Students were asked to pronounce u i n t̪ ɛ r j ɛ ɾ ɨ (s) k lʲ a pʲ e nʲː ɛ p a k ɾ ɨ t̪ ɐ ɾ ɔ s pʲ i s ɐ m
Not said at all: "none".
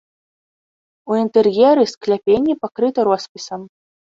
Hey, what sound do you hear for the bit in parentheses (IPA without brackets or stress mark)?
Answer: s